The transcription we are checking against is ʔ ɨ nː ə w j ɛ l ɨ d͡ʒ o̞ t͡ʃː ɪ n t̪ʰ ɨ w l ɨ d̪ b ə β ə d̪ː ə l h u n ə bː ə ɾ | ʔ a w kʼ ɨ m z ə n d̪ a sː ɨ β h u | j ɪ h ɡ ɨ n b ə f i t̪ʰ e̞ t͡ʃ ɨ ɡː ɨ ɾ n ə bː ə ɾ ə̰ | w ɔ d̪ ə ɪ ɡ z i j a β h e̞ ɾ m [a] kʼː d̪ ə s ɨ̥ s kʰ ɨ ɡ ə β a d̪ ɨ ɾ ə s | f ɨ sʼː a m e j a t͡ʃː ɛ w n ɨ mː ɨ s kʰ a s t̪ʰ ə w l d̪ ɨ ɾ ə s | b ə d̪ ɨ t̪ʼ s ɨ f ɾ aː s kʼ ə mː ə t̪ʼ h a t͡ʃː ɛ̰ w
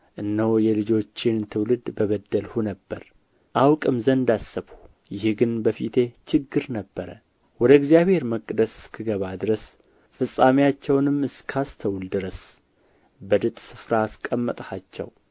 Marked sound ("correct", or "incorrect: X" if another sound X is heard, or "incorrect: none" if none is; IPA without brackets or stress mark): incorrect: ə